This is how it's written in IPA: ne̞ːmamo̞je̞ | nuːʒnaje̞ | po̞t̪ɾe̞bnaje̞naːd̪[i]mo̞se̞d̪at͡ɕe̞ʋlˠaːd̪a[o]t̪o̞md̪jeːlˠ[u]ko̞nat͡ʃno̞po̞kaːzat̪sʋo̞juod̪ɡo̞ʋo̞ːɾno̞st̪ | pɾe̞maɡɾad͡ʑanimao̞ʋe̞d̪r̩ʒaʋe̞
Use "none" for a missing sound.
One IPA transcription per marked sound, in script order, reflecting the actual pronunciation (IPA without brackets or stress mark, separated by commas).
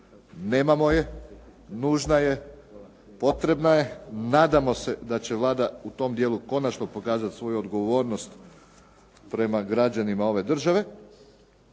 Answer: a, u, u